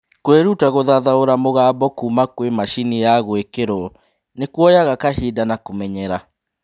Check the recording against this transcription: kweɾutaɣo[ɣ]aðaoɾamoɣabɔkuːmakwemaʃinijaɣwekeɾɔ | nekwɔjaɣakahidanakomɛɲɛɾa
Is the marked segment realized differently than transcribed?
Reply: yes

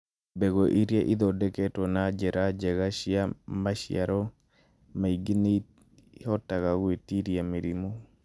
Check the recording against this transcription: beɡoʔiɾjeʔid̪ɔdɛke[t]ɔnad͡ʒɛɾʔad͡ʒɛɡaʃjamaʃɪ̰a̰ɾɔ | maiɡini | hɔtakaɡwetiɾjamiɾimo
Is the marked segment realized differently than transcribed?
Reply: no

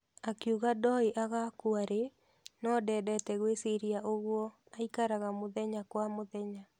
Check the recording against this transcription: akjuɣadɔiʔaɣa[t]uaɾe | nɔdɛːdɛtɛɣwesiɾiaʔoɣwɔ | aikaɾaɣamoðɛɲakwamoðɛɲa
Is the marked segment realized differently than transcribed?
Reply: yes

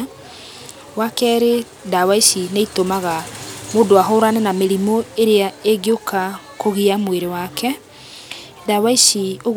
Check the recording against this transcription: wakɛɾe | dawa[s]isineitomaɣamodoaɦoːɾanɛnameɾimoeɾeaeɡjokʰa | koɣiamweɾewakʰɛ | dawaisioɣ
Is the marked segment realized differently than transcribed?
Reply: yes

